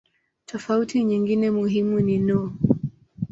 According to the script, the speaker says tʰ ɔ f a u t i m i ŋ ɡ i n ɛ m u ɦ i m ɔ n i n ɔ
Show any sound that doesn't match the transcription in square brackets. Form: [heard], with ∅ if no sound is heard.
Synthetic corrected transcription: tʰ ɔ f a u t i [ɲ] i ŋ ɡ i n ɛ m u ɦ i m [u] n i n ɔ

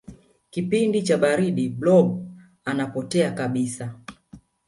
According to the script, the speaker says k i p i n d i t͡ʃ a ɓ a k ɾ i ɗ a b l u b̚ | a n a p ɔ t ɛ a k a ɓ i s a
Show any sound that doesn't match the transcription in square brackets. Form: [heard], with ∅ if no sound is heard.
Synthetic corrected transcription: k i p i n d i t͡ʃ a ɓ a [∅] ɾ i ɗ [i] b l [ɔ] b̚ | a n a p ɔ t ɛ a k a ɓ i s a

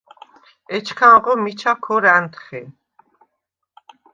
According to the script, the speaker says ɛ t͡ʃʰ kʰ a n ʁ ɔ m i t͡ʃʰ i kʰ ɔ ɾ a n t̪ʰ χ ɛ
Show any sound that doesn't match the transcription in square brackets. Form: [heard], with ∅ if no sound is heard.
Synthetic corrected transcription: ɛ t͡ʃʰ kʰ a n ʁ ɔ m i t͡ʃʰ [a] kʰ ɔ ɾ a n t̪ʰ χ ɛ

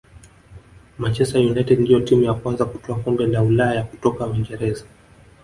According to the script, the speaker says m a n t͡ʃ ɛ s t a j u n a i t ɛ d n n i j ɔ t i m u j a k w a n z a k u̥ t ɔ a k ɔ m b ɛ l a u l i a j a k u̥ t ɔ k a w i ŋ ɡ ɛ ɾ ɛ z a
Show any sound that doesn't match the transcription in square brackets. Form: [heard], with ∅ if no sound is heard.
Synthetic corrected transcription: m a n t͡ʃ ɛ s t a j u n a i t ɛ d n [d] i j ɔ t i m u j a k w a n z a k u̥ t ɔ a k ɔ m b ɛ l a u l [a] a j a k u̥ t ɔ k a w i ŋ ɡ ɛ ɾ ɛ z a

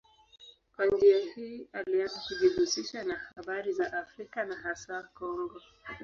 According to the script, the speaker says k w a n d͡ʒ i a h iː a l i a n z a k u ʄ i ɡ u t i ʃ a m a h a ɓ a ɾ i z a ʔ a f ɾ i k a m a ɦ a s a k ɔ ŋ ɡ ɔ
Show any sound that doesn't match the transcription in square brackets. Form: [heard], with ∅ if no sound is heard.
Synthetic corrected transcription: k w a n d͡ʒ i a h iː a l i a n z a k u ʄ i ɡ u [s] i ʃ a [n] a h a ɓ a ɾ i z a ʔ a f ɾ i k a [n] a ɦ a s a k ɔ ŋ ɡ ɔ

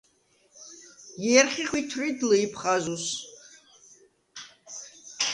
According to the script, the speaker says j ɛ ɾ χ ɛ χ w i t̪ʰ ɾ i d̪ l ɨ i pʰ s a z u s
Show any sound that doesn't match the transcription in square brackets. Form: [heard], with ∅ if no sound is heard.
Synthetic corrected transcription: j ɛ ɾ χ [i] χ w i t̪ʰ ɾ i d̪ l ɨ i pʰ [χ] a z u s

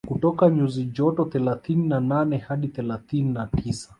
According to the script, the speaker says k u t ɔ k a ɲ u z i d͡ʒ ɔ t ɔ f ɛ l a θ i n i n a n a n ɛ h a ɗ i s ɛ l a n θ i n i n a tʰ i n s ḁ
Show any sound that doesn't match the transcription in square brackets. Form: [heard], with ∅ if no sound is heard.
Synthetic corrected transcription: k u t ɔ k a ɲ u z i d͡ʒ ɔ t ɔ [θ] ɛ l a θ i n i n a n a n ɛ h a ɗ i [θ] ɛ l a [∅] θ i n i n a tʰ i [∅] s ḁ

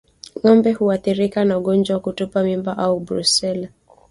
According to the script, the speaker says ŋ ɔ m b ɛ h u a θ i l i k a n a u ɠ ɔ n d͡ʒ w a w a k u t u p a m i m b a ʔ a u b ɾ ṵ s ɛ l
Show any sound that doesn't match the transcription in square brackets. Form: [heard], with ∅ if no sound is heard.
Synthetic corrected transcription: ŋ ɔ m b ɛ h u a θ i [ɾ] i k a n a u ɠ ɔ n d͡ʒ w a w a k u t u p a m i m b a ʔ a u b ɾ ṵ s ɛ l

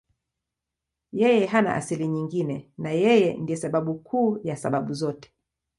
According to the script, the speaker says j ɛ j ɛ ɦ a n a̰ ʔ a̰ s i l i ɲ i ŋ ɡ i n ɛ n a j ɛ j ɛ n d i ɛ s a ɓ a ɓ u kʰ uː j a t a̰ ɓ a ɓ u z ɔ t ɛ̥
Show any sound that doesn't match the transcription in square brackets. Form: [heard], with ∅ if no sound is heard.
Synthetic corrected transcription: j ɛ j ɛ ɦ a n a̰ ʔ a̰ s i l i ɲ i ŋ ɡ i n ɛ n a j ɛ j ɛ n d i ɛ s a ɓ a ɓ u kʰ uː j a [s] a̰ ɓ a ɓ u z ɔ t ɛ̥

